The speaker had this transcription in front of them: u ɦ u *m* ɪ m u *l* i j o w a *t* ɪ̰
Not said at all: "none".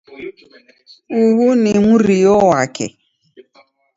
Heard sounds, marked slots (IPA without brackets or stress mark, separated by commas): n, ɾ, k